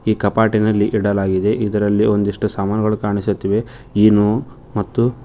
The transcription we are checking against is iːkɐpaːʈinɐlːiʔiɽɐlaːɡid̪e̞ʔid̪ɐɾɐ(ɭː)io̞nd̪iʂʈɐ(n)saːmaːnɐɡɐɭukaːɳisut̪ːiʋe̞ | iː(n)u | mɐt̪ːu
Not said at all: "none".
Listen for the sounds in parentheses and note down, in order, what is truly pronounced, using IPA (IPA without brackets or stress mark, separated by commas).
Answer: lː, none, n